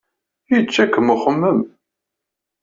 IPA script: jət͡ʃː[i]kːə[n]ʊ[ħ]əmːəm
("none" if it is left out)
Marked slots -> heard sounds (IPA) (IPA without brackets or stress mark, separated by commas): æ, m, χ